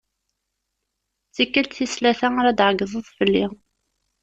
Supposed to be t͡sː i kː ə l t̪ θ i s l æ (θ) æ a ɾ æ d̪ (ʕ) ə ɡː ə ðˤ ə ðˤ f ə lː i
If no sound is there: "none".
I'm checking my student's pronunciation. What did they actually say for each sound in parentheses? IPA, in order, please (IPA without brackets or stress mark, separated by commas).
θ, ʕ